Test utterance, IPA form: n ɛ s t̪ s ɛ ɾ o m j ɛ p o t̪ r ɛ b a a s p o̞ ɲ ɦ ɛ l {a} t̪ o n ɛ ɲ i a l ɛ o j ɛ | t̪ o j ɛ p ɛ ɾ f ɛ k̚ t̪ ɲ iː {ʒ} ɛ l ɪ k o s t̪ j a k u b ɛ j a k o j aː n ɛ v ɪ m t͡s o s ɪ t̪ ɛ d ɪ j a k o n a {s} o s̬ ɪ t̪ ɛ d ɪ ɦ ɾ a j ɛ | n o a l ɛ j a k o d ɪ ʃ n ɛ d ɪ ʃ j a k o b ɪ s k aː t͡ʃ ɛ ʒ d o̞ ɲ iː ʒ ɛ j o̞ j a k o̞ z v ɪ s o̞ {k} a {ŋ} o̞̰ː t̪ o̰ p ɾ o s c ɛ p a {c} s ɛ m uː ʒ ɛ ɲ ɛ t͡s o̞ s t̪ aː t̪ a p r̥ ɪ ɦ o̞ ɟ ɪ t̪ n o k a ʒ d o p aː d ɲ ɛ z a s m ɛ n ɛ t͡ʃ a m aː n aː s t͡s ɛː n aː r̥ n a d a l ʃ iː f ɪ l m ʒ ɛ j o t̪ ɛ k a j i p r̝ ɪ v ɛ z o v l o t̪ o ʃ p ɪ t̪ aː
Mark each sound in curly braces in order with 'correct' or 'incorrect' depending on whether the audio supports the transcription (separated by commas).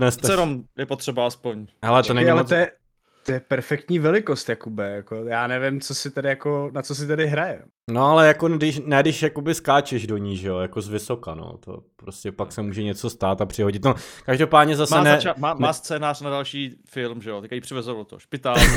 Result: incorrect, incorrect, incorrect, correct, incorrect, incorrect